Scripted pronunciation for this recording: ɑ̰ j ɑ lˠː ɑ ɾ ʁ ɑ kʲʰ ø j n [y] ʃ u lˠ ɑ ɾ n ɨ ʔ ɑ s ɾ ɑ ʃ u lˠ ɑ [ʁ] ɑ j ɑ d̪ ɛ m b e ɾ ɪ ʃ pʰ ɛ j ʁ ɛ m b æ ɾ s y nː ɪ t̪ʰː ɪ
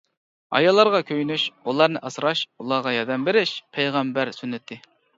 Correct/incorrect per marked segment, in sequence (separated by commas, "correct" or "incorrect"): correct, correct